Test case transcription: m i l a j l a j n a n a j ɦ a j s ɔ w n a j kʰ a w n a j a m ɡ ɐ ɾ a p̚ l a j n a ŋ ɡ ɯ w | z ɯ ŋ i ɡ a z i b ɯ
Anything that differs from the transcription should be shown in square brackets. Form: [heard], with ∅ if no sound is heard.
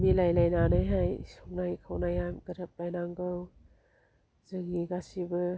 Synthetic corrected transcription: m i l a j l a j n a n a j ɦ a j s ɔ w n a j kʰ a w n a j a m ɡ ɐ ɾ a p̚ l a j n a ŋ ɡ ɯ w | z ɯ ŋ i ɡ a [s] i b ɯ

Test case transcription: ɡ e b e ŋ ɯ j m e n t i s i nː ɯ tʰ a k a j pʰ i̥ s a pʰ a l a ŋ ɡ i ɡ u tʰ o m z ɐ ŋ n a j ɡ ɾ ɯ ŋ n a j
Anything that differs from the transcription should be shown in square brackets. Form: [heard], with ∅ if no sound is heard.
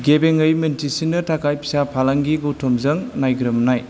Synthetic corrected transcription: ɡ e b e ŋ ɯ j m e n t i s i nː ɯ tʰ a k a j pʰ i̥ s a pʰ a l a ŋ ɡ i ɡ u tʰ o m z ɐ ŋ n a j ɡ ɾ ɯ [m] n a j

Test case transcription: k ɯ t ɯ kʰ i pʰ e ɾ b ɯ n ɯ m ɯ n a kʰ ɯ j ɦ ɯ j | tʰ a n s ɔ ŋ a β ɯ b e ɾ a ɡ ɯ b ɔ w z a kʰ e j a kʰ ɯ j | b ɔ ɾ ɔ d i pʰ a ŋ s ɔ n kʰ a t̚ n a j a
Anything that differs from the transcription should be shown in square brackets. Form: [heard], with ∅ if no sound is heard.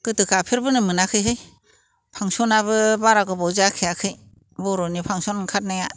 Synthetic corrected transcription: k ɯ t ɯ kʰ [a] pʰ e ɾ b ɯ n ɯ m ɯ n a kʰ ɯ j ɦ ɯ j | [pʰ] a [ŋ] s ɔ [n] a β ɯ b [a] ɾ a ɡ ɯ b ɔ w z a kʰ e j a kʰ ɯ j | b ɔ ɾ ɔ [n] i pʰ a ŋ s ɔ n kʰ a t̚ n a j a

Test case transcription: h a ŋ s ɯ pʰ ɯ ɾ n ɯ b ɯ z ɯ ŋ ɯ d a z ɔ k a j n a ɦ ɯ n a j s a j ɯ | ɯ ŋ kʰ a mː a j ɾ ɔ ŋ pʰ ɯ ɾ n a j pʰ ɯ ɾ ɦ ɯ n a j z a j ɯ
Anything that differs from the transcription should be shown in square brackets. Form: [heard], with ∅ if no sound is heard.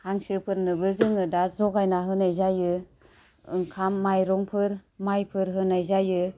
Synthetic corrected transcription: h a ŋ s ɯ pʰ ɯ ɾ n ɯ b ɯ z ɯ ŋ ɯ d a z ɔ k a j n a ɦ ɯ n a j [z] a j ɯ | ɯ ŋ kʰ a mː a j ɾ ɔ ŋ pʰ ɯ ɾ [m] a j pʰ ɯ ɾ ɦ ɯ n a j z a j ɯ

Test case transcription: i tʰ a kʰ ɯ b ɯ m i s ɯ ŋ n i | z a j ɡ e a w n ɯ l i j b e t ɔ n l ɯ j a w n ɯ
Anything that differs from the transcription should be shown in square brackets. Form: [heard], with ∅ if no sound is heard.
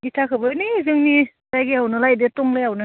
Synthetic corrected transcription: i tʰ a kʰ ɯ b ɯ [n] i [z] ɯ ŋ n i | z a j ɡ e a w n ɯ l [a] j [d] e t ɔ [ŋ] l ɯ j a w n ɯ

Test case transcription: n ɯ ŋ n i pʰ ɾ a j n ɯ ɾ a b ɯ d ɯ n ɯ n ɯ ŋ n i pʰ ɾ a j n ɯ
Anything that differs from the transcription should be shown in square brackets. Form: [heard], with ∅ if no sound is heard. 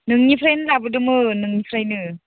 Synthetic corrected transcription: n ɯ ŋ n i pʰ ɾ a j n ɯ [l] a b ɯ d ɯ [m] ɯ n ɯ ŋ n i pʰ ɾ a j n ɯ

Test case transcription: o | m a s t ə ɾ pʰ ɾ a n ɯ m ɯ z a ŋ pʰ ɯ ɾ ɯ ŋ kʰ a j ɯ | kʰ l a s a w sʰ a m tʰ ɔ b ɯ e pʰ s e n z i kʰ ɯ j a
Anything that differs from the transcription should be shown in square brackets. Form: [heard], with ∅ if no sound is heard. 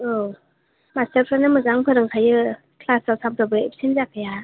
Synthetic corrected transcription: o | m a s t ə ɾ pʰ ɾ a n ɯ m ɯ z a ŋ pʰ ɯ ɾ ɯ ŋ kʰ a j ɯ | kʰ l a s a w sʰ a m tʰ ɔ b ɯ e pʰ s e n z [a] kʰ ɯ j a

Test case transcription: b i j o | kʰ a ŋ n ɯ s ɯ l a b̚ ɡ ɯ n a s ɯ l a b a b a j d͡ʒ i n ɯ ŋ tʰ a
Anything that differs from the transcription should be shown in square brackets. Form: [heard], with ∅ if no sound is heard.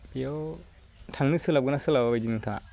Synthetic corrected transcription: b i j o | [tʰ] a ŋ n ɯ s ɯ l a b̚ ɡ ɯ n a s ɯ l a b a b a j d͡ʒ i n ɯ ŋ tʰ a

